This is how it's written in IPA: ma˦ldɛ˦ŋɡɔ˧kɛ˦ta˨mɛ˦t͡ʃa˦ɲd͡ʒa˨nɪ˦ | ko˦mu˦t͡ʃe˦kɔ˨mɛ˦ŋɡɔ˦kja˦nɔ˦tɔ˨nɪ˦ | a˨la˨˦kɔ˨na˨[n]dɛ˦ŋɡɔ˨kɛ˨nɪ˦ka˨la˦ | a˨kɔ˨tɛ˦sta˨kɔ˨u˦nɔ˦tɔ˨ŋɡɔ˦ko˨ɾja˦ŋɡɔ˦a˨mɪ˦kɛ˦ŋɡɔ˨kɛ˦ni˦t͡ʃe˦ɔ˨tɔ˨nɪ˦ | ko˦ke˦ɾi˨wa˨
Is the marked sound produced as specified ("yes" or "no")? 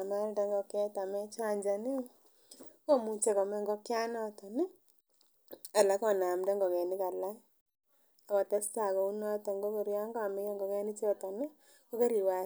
no